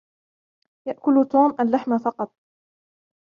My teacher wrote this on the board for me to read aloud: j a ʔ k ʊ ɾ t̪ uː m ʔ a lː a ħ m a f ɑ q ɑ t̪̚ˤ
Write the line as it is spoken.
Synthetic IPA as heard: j a ʔ k ʊ l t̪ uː m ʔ a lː a ħ m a f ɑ q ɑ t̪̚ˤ

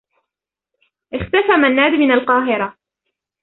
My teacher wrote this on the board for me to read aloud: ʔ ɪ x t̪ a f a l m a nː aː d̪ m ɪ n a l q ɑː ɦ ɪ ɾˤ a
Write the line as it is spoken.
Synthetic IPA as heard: ʔ ɪ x t̪ a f a m a nː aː d̪ m ɪ n a l q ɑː ɦ ɪ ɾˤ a

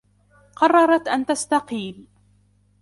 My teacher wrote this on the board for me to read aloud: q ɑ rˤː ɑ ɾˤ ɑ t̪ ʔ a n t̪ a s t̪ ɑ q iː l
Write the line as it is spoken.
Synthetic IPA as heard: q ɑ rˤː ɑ ɾˤ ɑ t̪ ʔ a n t̪ a s t̪ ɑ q iː l

